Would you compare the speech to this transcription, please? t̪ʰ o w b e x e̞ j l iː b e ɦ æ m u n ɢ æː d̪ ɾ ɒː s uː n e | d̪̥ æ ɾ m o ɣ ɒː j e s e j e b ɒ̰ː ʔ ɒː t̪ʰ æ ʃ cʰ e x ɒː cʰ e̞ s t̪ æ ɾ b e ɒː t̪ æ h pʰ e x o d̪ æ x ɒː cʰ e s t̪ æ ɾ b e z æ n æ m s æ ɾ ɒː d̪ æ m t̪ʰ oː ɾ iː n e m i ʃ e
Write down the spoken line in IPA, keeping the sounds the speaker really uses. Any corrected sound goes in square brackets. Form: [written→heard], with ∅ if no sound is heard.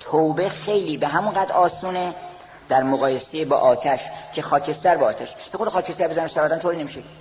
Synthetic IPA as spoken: t̪ʰ o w b e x e̞ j l iː b e ɦ æ m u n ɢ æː d̪ ɾ ɒː s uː n e | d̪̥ æ ɾ m o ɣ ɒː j e s e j e b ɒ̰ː ʔ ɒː t̪ʰ æ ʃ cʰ e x ɒː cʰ e̞ s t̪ æ ɾ b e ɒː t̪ æ [h→ʃ] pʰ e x o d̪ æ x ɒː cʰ e s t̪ æ ɾ b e z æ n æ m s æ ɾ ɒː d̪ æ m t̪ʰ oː ɾ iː n e m i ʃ e